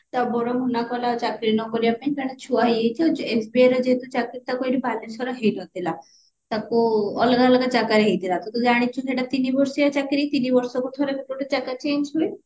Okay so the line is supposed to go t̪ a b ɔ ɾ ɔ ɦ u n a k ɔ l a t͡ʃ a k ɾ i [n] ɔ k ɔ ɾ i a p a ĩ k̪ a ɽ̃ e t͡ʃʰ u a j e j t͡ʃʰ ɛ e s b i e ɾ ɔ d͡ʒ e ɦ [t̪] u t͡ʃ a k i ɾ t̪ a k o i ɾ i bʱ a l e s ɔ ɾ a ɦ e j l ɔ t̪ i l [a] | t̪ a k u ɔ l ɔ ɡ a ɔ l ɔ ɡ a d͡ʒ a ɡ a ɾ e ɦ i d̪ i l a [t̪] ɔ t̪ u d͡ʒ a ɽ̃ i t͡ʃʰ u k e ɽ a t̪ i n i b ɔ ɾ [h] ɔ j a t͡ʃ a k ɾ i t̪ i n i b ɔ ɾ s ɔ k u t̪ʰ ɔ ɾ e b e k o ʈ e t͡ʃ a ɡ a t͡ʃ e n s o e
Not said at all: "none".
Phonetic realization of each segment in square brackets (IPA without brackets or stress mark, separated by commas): n, t̪, a, t̪, s